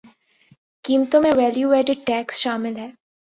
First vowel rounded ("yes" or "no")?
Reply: no